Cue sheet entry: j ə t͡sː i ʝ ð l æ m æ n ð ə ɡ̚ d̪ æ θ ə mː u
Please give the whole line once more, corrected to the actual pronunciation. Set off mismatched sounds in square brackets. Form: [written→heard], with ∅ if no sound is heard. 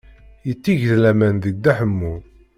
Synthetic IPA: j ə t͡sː i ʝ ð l æ m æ n ð ə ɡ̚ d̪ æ [θ→ħ] ə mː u